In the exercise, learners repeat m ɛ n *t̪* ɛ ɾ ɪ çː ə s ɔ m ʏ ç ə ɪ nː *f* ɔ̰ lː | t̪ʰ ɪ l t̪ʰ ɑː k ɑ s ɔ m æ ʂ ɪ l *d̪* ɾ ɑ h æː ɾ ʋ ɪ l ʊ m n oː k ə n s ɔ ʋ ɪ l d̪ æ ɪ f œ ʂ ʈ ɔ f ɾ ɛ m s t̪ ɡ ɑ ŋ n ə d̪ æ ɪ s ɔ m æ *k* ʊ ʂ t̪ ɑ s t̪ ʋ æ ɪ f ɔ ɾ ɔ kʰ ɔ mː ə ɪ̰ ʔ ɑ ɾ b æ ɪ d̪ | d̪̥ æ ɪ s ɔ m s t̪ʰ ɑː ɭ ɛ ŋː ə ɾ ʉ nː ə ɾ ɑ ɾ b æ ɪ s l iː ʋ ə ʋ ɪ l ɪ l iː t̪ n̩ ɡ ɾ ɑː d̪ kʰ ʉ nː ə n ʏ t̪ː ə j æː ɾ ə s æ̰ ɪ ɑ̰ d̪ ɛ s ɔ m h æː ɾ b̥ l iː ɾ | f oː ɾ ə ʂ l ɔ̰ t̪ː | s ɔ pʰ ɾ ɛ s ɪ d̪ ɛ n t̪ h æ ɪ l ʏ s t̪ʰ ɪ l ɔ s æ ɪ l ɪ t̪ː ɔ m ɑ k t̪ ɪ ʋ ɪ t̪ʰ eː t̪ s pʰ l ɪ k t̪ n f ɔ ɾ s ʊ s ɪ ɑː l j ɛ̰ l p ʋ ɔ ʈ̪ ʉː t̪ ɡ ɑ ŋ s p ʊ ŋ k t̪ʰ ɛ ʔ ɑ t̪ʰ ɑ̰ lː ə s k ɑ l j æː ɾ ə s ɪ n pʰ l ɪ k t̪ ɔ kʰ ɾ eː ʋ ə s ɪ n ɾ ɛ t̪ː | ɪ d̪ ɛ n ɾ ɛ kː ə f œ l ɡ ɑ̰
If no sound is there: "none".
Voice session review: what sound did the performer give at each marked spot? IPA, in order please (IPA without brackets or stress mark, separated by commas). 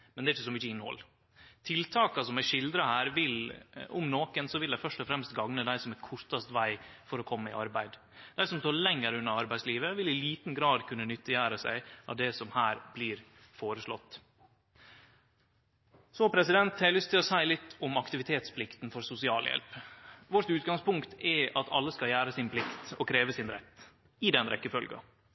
d̪, h, d̪, kʰ